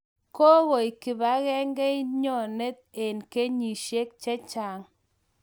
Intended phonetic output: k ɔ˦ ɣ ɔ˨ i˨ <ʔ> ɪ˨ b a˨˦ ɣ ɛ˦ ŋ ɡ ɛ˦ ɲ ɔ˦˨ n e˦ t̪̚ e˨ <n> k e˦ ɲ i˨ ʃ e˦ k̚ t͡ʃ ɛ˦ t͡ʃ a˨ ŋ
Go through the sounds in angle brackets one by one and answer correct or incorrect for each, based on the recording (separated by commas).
incorrect, correct